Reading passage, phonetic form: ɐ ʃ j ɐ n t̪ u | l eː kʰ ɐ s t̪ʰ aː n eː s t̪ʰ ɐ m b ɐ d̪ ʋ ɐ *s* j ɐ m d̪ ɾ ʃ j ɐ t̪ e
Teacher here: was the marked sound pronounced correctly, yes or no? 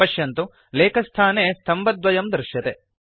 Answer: no